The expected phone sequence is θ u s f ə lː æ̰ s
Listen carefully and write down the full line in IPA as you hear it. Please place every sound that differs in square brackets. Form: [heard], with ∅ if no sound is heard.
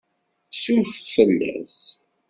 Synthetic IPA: [s] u [f] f ə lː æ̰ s

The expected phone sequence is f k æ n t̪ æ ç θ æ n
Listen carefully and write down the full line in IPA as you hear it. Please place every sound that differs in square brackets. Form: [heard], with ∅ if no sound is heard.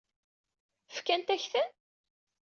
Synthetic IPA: f k æ n t̪ æ ç θ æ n

